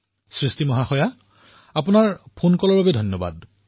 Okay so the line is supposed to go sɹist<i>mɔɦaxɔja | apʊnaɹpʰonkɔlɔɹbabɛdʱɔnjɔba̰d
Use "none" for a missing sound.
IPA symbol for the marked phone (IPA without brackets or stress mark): i